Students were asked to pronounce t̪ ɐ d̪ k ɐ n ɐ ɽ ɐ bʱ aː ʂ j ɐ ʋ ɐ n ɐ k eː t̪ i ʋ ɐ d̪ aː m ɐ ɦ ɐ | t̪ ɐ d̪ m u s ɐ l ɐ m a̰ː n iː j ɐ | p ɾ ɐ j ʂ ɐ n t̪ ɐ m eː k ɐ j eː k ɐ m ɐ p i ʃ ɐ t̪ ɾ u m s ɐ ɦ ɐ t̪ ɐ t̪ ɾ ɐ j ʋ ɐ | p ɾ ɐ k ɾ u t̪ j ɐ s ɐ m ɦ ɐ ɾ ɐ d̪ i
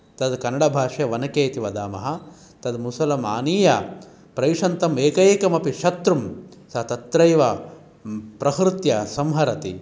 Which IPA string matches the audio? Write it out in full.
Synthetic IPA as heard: t̪ ɐ d̪ k ɐ n ɐ ɽ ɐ bʱ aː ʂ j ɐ ʋ ɐ n ɐ k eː t̪ i ʋ ɐ d̪ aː m ɐ ɦ ɐ | t̪ ɐ d̪ m u s ɐ l ɐ m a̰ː n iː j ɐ | p ɾ ɐ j ʂ ɐ n t̪ ɐ m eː k ɐ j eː k ɐ m ɐ p i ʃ ɐ t̪ ɾ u m s ɐ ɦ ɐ t̪ ɐ t̪ ɾ ɐ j ʋ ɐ | p ɾ ɐ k ɾ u t̪ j ɐ s ɐ m ɦ ɐ ɾ ɐ t̪ i